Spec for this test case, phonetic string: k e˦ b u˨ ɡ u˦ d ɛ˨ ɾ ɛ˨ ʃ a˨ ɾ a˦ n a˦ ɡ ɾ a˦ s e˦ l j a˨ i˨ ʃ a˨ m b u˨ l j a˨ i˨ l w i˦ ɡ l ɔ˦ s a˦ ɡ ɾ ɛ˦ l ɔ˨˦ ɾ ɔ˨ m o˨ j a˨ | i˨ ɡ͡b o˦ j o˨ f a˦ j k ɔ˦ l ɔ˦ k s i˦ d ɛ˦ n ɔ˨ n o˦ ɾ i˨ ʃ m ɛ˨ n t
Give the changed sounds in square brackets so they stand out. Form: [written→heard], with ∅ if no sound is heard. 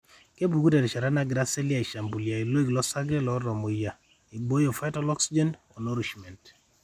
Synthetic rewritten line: k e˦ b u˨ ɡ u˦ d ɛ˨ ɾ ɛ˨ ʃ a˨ ɾ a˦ n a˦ ɡ ɾ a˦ s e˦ l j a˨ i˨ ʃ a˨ m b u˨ l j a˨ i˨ l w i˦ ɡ l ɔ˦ s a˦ ɡ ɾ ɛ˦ l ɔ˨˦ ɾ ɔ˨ m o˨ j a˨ | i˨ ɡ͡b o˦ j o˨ f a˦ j [k→t] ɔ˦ l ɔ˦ k s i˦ [d→d͡ʒ] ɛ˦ n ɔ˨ n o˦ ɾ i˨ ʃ m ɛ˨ n t